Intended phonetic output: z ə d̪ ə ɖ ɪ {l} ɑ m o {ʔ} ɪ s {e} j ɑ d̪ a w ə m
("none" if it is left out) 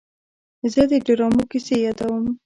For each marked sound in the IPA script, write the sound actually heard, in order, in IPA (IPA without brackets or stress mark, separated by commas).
ɾ, k, e